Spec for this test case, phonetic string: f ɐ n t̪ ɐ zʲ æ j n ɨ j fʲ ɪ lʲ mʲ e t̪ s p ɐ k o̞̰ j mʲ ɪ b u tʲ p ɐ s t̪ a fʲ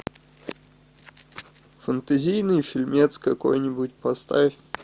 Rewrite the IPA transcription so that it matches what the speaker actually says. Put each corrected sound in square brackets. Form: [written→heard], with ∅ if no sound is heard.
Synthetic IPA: f [ɐ→ə] n t̪ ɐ zʲ [æ→i] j n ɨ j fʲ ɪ lʲ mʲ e t̪ s [p→k] ɐ k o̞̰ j [mʲ→nʲ] ɪ b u tʲ p ɐ s t̪ a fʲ